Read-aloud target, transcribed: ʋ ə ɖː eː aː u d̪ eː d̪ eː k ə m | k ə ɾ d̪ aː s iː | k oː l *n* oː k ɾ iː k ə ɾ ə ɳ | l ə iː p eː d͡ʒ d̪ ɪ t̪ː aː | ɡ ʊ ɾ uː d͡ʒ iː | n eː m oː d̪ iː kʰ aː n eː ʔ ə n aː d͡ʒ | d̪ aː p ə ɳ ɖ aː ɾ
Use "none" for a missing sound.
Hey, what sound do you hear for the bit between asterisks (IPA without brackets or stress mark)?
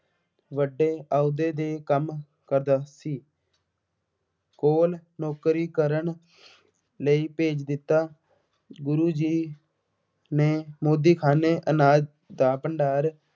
n